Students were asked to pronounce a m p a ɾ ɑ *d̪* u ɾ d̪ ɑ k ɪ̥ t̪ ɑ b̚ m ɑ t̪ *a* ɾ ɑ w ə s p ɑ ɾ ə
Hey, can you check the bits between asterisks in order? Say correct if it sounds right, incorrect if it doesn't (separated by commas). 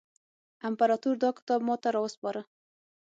incorrect, correct